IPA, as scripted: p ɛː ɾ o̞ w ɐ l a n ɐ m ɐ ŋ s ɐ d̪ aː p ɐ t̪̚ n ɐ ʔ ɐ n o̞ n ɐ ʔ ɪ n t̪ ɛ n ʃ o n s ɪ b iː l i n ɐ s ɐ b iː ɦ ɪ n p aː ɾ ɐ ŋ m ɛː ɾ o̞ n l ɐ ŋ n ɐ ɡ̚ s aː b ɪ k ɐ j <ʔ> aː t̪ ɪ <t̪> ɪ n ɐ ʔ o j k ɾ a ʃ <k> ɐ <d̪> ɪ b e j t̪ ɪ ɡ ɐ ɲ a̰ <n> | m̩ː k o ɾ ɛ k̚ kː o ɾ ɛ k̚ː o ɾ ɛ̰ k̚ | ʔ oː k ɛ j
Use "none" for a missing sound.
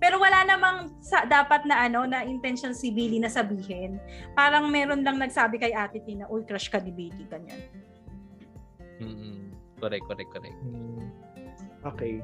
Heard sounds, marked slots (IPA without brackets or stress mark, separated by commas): ʔ, t̪, k, d̪, n